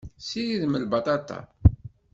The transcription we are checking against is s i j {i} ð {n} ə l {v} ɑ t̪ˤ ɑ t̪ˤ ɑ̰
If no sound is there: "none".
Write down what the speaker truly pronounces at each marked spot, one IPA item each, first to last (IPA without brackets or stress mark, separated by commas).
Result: i, m, b